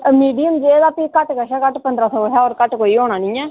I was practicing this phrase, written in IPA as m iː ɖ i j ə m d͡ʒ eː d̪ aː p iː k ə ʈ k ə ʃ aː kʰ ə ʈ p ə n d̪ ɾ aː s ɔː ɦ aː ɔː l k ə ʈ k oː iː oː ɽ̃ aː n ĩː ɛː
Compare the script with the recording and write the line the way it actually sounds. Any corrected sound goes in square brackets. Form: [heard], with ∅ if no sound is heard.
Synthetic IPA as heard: m iː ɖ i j ə m d͡ʒ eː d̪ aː p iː k ə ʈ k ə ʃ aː [k] ə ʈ p ə n d̪ ɾ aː s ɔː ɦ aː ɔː [ɾ] k ə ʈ k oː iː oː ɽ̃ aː n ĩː ɛː